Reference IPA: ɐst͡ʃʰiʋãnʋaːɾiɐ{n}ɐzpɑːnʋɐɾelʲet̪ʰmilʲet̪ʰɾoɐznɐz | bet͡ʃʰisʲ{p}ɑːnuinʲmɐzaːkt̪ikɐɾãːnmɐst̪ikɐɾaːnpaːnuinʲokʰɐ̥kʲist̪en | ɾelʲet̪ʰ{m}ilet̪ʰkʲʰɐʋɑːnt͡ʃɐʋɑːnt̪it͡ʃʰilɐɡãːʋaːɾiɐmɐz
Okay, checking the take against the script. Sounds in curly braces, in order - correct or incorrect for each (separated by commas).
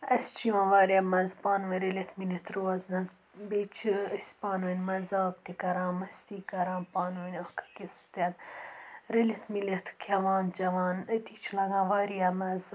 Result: incorrect, correct, correct